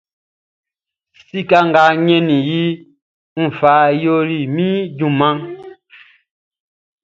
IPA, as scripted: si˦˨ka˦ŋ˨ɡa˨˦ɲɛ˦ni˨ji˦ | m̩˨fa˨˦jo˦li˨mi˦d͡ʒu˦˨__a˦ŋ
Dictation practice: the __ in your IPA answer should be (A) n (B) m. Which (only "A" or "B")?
B